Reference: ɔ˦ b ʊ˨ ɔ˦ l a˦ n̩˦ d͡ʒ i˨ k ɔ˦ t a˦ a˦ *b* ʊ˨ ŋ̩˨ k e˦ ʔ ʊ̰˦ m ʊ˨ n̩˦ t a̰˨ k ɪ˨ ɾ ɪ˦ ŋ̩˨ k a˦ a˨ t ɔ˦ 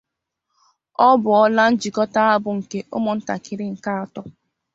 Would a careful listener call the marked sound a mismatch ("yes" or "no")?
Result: no